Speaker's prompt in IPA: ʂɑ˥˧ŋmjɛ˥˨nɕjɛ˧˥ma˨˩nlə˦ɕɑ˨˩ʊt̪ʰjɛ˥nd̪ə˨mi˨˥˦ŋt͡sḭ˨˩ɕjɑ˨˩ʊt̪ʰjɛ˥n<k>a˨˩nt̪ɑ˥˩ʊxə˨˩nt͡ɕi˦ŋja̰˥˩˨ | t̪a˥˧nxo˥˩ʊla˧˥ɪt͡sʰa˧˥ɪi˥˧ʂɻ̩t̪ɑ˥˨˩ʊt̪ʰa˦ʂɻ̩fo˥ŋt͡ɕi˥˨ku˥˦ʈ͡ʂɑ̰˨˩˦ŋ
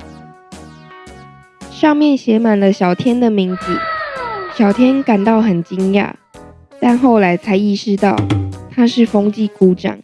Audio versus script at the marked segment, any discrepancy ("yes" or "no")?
no